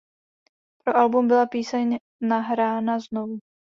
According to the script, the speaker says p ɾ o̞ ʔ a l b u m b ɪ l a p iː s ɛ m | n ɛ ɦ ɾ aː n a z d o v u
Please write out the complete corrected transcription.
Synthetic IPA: p ɾ o̞ ʔ a l b u m b ɪ l a p iː s ɛ ɲ | n a ɦ ɾ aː n a z n o v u